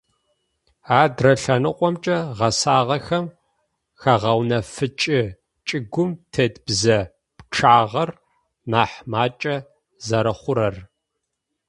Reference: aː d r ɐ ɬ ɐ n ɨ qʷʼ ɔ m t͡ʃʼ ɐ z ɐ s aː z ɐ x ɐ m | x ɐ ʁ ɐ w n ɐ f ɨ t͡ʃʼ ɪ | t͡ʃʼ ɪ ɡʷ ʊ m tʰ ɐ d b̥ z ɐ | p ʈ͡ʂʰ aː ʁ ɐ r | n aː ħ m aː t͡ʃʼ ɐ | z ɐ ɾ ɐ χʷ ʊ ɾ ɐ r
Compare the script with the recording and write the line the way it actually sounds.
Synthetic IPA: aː d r ɐ ɬ ɐ n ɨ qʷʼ ɔ m t͡ʃʼ ɐ ʁ ɐ s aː ʁ ɐ x ɐ m | x ɐ ʁ ɐ w n ɐ f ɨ t͡ʃʼ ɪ | t͡ʃʼ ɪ ɡʷ ʊ m tʰ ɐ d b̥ z ɐ | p ʈ͡ʂʰ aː ʁ ɐ r | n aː ħ m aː t͡ʃʼ ɐ | z ɐ ɾ ɐ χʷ ʊ ɾ ɐ r